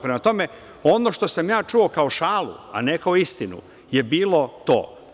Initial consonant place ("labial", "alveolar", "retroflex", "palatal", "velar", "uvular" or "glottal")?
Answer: labial